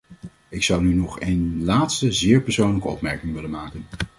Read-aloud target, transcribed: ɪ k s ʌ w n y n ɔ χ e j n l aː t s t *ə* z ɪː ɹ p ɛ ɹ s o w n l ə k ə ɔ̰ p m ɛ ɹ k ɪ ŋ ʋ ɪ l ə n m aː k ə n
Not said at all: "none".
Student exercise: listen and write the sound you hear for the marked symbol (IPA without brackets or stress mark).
ə